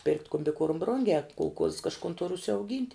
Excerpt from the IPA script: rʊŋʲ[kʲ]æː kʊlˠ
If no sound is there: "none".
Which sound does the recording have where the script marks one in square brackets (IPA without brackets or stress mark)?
ɡʲ